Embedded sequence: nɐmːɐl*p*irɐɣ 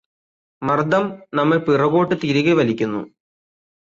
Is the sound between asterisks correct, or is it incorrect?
correct